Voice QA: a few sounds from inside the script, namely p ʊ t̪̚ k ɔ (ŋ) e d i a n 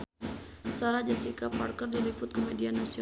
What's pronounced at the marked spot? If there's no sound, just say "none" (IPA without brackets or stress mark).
m